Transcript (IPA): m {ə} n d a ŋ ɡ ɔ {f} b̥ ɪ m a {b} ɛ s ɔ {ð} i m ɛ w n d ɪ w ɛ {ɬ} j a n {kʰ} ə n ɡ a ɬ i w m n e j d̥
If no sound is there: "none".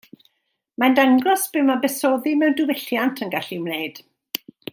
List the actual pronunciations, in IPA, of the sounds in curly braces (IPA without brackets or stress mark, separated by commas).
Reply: a, s, b, ð, ɬ, tʰ